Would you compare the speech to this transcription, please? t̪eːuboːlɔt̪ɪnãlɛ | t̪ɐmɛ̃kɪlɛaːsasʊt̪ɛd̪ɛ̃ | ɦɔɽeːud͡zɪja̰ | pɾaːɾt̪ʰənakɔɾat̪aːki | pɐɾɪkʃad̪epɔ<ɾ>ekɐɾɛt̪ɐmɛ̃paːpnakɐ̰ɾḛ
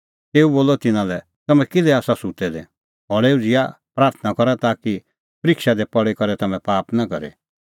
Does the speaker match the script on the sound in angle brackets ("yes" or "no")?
no